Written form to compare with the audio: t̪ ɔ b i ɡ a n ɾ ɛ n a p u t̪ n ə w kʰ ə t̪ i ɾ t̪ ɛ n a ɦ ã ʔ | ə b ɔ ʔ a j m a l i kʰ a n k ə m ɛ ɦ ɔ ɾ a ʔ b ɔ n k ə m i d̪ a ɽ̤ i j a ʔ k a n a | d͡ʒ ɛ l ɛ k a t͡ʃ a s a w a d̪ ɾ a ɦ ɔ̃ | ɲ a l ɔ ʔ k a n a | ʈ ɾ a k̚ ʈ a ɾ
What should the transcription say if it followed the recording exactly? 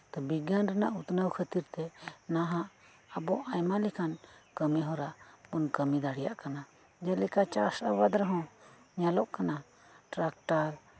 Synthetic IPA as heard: t̪ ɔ b i ɡ a n ɾ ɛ n a ʔ u t̪ n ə w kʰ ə t̪ i ɾ t̪ ɛ n a ɦ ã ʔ | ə b ɔ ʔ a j m a l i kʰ a n k ə m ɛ ɦ ɔ ɾ a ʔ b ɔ n k ə m i d̪ a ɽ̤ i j a ʔ k a n a | d͡ʒ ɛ l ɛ k a t͡ʃ a s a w a d̪ ɾ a ɦ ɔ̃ | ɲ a l ɔ ʔ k a n a | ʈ ɾ a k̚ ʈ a ɾ

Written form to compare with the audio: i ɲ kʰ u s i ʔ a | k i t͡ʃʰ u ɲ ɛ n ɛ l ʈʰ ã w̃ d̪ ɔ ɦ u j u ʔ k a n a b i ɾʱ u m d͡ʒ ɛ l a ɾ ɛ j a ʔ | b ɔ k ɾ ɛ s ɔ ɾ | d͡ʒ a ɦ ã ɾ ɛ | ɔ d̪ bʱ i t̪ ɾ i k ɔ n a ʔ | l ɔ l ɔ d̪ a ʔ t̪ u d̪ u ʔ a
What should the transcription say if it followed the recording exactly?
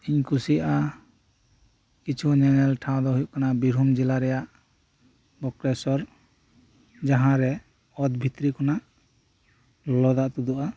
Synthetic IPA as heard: i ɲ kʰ u s i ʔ a | k i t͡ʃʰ u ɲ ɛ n ɛ l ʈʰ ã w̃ d̪ ɔ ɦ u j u ʔ k a n a b i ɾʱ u m d͡ʒ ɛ l a ɾ ɛ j a ʔ | b ɔ k ɾ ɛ s ɔ ɾ | d͡ʒ a ɦ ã ɾ ɛ | ɔ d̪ bʱ i t̪ ɾ i k ɔ n a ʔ | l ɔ l ɔ d̪ a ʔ t̪ u d̪ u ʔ a

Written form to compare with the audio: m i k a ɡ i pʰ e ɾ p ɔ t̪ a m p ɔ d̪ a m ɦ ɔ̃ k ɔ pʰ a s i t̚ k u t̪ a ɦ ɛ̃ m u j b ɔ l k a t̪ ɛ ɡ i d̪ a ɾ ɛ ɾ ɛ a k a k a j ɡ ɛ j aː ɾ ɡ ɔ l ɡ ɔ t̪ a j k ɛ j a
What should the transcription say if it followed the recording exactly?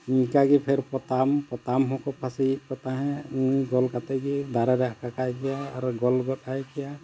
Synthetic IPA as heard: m i k a ɡ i pʰ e ɾ p ɔ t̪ a m p ɔ t̪ a m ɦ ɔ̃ k ɔ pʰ a s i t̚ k ɔ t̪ a ɦ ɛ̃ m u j ɡ ɔ l k a t̪ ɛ ɡ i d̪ a ɾ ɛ ɾ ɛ a k a k a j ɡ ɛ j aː ɾ ɡ ɔ l ɡ ɔ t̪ a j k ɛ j a

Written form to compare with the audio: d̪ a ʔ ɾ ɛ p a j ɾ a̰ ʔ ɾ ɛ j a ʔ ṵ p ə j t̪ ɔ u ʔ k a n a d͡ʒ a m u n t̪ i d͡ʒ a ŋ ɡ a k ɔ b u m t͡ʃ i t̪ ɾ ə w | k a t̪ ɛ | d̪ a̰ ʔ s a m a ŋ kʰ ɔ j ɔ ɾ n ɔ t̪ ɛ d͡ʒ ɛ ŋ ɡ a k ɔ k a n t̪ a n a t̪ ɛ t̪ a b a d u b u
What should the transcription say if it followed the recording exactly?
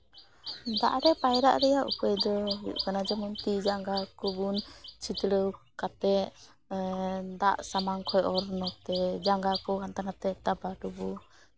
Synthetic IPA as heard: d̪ a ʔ ɾ ɛ p a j ɾ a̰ ʔ ɾ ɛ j a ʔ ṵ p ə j d̪ ɔ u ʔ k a n a d͡ʒ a m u n t̪ i d͡ʒ a ŋ ɡ a k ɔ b u n t͡ʃ i t̪ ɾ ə w | k a t̪ ɛ | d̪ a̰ ʔ s a m a ŋ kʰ ɔ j ɔ ɾ n ɔ t̪ ɛ d͡ʒ a ŋ ɡ a k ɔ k a n t̪ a n a t̪ ɛ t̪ a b a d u b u

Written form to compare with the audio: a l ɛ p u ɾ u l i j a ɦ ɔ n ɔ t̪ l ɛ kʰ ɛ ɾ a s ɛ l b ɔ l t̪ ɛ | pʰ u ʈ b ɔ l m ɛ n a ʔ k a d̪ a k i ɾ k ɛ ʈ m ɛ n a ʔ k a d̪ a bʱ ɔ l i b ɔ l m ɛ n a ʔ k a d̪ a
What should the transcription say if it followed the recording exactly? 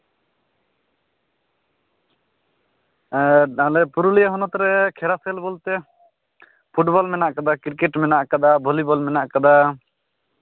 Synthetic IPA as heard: a l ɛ p u ɾ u l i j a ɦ ɔ n ɔ t̪ ɾ ɛ kʰ ɛ ɾ a s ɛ l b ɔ l t̪ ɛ | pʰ u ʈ b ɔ l m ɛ n a ʔ k a d̪ a k i ɾ k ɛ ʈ m ɛ n a ʔ k a d̪ a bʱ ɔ l i b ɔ l m ɛ n a ʔ k a d̪ a

